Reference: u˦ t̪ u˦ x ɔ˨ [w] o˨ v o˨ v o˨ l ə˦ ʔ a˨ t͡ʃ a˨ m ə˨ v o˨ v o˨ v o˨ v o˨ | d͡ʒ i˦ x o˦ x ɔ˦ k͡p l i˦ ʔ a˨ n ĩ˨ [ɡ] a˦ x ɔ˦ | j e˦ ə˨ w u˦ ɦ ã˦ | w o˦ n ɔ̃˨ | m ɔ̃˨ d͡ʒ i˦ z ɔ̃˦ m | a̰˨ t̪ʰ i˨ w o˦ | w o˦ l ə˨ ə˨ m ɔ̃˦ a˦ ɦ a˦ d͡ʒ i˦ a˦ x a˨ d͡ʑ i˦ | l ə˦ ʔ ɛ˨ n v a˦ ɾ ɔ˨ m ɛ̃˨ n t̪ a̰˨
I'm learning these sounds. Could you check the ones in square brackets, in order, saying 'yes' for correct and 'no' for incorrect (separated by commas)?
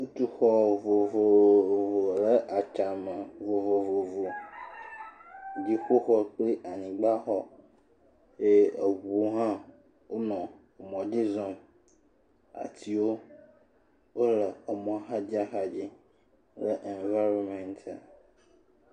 no, no